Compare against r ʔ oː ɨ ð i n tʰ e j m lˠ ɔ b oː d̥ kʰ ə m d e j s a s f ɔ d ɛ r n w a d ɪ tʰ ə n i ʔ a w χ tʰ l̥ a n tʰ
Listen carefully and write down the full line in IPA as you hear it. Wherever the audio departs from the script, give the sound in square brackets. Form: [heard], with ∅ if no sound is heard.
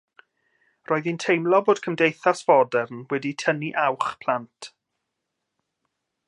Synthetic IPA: r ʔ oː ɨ ð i n tʰ e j m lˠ ɔ b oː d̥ kʰ ə m d e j [θ] a s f ɔ d ɛ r n w [ɛ] d [i] tʰ ə n i ʔ a w χ [pʰ] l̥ a n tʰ